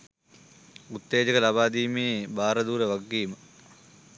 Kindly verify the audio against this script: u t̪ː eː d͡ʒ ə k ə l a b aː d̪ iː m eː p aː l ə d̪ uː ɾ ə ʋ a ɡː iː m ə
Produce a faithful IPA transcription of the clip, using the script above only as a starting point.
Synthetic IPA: u t̪ː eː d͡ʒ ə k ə l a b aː d̪ iː m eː b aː ɾ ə d̪ uː ɾ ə ʋ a ɡː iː m ə